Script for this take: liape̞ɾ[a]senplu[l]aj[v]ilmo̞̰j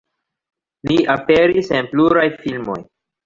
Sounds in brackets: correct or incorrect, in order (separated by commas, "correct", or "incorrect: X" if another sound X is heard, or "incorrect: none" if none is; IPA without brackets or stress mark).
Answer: incorrect: i, incorrect: ɾ, incorrect: f